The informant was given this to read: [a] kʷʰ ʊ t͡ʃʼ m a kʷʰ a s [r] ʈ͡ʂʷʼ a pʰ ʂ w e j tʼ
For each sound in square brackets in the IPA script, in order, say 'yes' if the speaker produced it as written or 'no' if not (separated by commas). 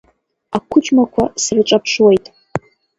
yes, yes